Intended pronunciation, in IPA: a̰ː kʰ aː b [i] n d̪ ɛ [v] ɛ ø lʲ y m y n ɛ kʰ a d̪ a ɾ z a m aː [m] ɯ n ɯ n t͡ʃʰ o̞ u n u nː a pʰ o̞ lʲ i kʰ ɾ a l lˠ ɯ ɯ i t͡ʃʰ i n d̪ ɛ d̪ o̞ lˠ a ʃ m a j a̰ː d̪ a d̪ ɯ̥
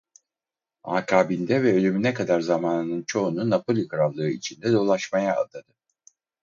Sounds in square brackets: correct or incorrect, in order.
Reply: correct, correct, incorrect: n

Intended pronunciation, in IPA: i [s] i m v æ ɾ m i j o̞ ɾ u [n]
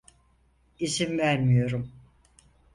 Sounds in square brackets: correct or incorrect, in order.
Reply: incorrect: z, incorrect: m

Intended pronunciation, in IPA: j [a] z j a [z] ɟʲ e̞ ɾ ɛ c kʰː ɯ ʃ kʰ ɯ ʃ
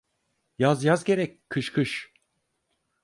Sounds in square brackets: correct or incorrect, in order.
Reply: correct, correct

